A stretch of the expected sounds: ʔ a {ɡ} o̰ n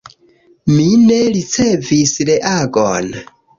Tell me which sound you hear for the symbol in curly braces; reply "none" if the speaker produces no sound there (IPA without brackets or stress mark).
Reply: ɡ